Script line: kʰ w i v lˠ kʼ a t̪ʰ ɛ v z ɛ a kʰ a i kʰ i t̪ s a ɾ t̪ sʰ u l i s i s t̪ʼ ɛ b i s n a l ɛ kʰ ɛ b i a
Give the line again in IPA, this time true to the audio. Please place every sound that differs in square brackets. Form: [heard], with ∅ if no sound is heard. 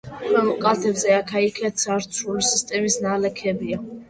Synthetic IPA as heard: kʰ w [ɛ] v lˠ kʼ a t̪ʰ ɛ [b] z ɛ a kʰ a i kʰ [ɛ] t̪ s a ɾ t̪ sʰ u l i s i s t̪ʼ ɛ [m] i s n a l ɛ kʰ ɛ b i a

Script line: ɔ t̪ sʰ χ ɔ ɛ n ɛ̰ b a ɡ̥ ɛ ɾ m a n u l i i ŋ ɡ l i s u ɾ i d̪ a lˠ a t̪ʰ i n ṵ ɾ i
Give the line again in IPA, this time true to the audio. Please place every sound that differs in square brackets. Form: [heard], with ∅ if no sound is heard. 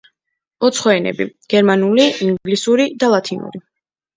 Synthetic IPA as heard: ɔ t̪ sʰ χ ɔ ɛ n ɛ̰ b [i] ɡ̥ ɛ ɾ m a n u l i i ŋ ɡ l i s u ɾ i d̪ a lˠ a t̪ʰ i n ṵ ɾ i

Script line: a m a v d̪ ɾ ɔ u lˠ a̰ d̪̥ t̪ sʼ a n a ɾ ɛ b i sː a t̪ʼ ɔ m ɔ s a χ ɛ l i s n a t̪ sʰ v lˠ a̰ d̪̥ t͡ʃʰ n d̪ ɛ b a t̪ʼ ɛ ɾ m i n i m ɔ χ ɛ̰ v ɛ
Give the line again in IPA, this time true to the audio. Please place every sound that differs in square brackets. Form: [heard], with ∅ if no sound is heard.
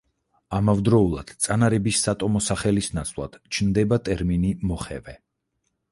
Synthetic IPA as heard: a m a v d̪ ɾ ɔ u lˠ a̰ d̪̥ t̪ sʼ a n a ɾ ɛ b i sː a t̪ʼ ɔ m ɔ s a χ ɛ l i s n a t̪ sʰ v lˠ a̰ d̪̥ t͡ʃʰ n d̪ ɛ b a t̪ʼ ɛ ɾ m i n i m ɔ χ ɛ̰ v ɛ

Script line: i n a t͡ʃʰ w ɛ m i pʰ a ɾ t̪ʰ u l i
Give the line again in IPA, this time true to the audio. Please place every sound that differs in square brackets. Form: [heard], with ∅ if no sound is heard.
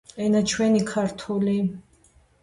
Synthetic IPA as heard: [ɛ] n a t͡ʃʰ w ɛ [n] i [kʰ] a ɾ t̪ʰ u l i

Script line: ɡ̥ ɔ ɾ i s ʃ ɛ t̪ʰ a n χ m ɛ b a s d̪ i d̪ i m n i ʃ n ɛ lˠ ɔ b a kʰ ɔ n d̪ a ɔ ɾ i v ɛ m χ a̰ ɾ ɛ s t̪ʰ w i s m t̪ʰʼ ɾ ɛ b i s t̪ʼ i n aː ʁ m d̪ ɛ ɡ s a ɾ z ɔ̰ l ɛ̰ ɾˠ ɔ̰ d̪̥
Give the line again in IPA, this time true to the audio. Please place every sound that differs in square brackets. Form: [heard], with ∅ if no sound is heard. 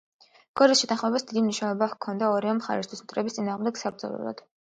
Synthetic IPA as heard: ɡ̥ ɔ ɾ i s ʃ ɛ t̪ʰ a n χ m ɛ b a s d̪ i d̪ i m n i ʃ n ɛ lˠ ɔ b a kʰ ɔ n d̪ a ɔ ɾ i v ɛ m χ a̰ ɾ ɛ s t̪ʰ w i s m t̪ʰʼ ɾ ɛ b i s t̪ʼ i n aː ʁ m d̪ ɛ ɡ s a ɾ z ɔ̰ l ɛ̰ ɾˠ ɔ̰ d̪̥

